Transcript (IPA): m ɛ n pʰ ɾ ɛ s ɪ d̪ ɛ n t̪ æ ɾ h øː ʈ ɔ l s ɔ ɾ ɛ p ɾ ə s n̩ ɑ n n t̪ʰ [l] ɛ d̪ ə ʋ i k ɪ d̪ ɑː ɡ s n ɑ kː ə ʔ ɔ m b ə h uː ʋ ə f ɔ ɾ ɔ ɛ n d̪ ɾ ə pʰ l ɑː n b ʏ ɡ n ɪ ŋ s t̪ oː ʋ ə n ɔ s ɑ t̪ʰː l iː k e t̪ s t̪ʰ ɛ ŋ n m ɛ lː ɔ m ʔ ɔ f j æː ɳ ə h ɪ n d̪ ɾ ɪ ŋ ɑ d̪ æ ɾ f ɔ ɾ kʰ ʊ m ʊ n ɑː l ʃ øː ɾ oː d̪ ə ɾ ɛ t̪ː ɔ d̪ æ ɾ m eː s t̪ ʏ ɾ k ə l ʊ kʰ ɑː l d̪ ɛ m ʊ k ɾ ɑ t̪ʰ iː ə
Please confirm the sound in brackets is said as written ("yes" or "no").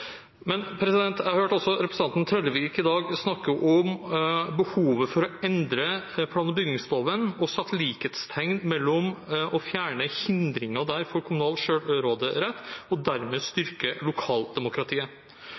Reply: no